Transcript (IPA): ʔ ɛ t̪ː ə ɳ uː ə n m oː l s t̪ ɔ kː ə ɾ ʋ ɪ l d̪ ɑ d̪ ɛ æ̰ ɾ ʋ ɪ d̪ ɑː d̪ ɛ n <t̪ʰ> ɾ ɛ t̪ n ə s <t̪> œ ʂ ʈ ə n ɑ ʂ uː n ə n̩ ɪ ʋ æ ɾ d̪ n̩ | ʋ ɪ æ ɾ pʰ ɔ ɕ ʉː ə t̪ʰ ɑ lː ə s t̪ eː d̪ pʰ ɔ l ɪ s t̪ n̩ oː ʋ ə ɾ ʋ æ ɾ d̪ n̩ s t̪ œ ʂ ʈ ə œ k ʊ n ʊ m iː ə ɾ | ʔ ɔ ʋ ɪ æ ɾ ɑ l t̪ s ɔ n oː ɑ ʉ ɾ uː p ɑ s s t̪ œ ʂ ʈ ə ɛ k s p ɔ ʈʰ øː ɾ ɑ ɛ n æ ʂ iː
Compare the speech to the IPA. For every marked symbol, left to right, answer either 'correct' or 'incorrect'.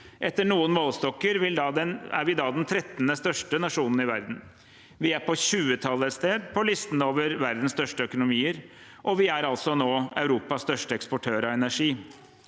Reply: correct, correct

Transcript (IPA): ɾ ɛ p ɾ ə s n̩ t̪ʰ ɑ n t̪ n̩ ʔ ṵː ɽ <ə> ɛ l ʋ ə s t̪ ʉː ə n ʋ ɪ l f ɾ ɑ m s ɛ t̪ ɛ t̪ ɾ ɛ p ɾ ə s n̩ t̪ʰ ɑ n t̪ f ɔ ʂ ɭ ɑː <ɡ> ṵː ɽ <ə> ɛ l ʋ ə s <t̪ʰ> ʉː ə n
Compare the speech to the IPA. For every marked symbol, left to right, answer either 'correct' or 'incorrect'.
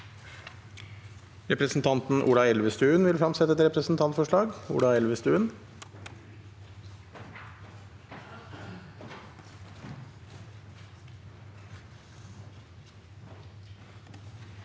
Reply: incorrect: ɑ, correct, incorrect: ɑ, incorrect: t̪

